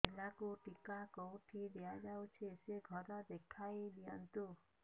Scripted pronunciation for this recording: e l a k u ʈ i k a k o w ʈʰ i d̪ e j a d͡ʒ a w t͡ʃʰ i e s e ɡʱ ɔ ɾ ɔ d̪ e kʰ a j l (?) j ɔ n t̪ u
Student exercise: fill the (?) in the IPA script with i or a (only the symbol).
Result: i